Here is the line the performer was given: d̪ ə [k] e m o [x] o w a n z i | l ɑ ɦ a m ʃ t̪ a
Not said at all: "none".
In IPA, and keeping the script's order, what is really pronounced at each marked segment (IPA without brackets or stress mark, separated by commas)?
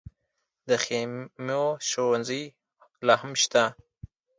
x, ʃ